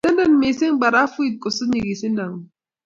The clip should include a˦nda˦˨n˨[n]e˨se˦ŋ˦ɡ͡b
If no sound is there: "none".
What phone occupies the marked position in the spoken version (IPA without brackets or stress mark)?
m